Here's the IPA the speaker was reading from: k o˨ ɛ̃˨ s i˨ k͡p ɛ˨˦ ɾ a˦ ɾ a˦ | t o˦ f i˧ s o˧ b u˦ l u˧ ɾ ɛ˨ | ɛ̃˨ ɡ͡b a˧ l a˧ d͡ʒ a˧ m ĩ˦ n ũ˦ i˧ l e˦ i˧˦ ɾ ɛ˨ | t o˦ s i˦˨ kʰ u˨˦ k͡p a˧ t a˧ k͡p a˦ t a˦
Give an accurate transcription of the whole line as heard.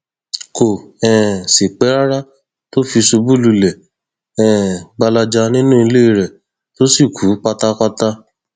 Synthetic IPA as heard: k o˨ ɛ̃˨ s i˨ k͡p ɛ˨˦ ɾ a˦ ɾ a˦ | t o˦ f i˧ s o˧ b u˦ l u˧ l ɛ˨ | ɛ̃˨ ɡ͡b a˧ l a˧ d͡ʒ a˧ n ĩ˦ n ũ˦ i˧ l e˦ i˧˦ ɾ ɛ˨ | t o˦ s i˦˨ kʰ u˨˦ k͡p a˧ t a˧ k͡p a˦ t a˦